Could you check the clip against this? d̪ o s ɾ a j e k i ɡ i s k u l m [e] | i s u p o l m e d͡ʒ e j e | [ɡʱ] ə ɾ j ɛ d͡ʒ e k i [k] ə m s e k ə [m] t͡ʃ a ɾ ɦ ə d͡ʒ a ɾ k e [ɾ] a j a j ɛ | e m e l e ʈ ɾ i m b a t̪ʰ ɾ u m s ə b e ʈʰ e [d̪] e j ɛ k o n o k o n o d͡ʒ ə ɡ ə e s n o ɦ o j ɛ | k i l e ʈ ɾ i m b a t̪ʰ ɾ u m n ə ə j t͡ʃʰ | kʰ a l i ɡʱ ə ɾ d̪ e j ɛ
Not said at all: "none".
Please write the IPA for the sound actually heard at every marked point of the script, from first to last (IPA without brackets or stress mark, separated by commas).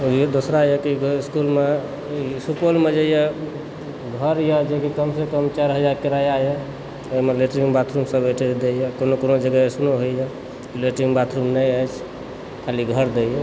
e, ɡʱ, k, m, ɾ, d̪